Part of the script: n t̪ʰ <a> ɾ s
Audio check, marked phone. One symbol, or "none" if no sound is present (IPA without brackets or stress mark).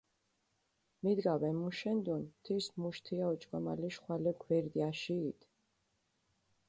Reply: i